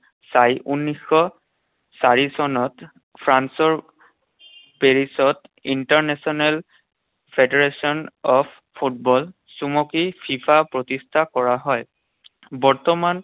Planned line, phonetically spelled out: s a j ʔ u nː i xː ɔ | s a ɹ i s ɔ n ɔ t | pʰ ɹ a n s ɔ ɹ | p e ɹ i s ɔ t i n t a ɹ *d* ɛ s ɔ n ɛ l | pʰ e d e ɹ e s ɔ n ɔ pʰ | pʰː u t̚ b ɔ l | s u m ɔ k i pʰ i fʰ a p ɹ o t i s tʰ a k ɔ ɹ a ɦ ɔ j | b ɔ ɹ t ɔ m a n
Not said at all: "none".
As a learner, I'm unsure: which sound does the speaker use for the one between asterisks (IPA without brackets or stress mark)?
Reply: n